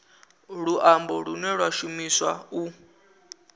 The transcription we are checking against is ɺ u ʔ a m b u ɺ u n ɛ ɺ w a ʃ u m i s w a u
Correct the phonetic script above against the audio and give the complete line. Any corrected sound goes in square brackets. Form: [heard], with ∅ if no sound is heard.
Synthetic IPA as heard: ɺ u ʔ a m b [ɔ] ɺ u n ɛ ɺ w a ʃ u m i s w a u